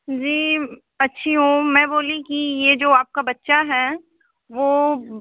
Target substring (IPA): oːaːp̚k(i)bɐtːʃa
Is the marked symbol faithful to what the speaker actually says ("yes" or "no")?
no